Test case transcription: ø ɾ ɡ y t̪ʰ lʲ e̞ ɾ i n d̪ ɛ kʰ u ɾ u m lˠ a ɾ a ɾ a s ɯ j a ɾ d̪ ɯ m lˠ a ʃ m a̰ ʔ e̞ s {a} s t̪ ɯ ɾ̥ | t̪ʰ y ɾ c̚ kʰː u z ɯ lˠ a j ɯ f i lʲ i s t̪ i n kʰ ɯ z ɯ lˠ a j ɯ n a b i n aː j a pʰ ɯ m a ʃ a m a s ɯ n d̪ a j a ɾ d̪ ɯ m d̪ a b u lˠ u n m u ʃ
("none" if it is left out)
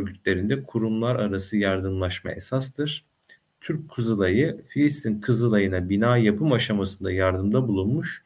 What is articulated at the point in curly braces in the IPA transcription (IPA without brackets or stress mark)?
a